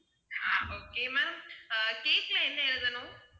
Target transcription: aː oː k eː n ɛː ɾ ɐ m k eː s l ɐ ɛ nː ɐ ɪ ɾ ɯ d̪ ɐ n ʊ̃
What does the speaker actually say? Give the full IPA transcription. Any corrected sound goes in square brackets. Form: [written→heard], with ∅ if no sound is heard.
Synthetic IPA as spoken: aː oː k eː [n→m] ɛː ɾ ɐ m k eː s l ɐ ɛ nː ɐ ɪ ɾ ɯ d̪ ɐ n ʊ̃